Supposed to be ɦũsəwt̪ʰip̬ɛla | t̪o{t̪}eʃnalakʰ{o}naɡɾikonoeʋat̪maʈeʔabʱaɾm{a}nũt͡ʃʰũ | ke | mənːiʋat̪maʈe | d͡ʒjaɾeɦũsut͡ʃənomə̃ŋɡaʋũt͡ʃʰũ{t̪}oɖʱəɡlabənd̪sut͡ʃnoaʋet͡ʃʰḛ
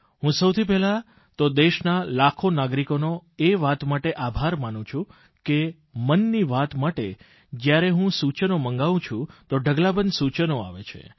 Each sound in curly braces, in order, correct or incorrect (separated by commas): incorrect, correct, correct, correct